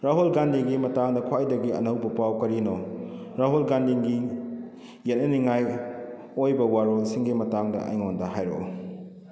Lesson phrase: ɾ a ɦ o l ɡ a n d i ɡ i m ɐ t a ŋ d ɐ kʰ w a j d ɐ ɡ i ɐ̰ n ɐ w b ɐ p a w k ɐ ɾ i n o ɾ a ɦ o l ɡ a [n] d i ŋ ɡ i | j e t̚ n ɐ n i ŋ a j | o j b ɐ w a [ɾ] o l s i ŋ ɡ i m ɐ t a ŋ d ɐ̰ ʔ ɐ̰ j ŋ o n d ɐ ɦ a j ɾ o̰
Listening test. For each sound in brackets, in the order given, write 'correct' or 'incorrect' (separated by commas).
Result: correct, correct